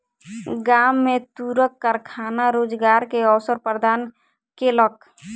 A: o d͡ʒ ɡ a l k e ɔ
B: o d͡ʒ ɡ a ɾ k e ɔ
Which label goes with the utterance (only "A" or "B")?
B